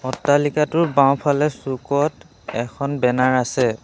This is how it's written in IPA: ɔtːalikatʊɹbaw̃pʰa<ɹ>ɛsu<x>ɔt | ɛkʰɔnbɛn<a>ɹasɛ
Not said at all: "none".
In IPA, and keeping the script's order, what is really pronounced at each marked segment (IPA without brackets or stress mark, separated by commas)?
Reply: l, k, a